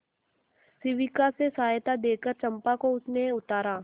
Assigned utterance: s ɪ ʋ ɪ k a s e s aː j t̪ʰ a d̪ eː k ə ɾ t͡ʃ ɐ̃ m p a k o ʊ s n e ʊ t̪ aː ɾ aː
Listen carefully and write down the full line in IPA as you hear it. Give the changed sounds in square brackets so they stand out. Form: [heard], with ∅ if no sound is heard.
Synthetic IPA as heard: s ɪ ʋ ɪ k a s e s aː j [t̪] a d̪ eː k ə ɾ t͡ʃ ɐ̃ m p a k o ʊ s n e ʊ t̪ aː ɾ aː